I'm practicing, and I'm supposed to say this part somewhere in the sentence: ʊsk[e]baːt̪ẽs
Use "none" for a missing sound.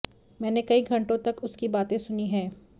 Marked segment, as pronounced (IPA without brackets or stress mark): i